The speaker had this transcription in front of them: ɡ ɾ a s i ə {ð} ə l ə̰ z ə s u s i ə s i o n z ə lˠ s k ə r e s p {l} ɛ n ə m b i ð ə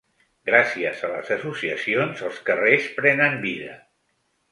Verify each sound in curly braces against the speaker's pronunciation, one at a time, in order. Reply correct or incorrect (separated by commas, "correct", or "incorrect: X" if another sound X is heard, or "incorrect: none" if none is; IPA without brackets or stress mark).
incorrect: z, incorrect: ɾ